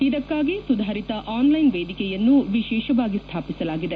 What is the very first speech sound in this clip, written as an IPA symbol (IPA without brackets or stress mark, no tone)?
i